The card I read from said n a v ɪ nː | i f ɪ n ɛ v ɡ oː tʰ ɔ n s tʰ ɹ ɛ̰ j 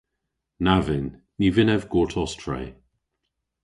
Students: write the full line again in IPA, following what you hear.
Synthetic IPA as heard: n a v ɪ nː | i v ɪ n ɛ v ɡ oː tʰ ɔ s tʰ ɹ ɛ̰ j